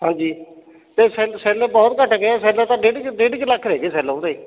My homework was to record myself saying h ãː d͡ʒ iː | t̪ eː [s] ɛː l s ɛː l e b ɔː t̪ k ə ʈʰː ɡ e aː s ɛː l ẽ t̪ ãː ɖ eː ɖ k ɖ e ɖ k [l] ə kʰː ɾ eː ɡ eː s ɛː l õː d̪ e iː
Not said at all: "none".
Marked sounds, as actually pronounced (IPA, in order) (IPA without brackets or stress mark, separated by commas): s, l